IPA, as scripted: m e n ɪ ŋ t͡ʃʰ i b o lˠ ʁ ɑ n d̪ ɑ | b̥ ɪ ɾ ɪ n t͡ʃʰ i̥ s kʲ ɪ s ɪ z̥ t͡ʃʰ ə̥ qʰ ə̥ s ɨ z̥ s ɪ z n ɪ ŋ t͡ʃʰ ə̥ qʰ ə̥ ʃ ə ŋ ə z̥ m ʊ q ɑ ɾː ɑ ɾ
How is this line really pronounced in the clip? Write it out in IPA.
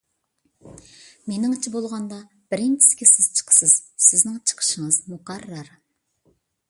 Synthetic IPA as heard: m e n ɪ ŋ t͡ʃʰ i b o lˠ ʁ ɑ n d̪ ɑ | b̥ ɪ ɾ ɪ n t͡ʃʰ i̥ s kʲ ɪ s ɪ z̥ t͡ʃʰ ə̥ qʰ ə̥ s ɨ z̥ s ɪ z n ɪ ŋ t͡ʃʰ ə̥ qʰ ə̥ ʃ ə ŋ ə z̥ m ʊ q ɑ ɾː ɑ ɾ